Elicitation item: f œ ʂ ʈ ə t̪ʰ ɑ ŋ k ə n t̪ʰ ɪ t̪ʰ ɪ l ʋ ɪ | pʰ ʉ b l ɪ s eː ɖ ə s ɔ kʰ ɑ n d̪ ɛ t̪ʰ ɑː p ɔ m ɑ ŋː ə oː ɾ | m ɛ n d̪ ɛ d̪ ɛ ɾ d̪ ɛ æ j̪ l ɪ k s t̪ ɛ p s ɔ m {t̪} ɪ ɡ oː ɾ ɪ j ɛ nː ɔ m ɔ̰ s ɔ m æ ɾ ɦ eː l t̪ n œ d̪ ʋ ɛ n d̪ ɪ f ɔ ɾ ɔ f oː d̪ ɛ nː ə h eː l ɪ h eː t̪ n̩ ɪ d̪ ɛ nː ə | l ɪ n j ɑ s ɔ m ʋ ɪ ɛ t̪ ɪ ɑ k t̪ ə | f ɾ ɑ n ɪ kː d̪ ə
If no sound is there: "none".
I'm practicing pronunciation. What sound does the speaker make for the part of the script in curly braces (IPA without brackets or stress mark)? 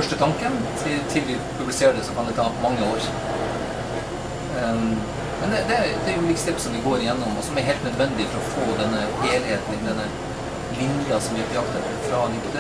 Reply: d̪